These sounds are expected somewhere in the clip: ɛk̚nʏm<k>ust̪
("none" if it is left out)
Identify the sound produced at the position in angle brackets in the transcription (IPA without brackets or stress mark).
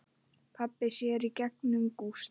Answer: k